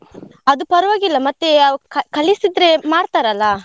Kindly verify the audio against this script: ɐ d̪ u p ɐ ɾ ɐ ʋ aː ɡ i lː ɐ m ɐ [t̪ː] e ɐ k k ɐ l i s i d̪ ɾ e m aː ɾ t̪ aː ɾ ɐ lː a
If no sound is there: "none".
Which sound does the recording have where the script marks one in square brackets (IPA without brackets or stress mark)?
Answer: t̪ː